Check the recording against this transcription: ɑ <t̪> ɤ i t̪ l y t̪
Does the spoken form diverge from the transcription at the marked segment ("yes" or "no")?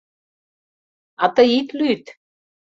no